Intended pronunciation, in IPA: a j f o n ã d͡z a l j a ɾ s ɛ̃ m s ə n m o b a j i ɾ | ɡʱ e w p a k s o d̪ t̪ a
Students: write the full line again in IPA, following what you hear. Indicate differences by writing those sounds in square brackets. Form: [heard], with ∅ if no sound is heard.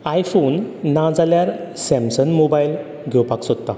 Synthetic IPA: a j f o [nː] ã d͡z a l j a ɾ s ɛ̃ m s ə n m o b a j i [l] | ɡʱ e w p a k s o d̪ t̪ a